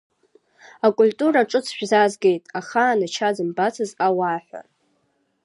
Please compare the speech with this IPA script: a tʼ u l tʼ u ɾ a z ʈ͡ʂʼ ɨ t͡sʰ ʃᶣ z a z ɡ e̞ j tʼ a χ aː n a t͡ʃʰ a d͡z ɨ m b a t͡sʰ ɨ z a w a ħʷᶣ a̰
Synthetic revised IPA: a kʼ u l tʼ u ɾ a ʈ͡ʂʼ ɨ t͡sʰ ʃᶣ z a z ɡ e̞ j tʼ a χ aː n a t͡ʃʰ a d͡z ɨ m b a t͡sʰ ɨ z a w a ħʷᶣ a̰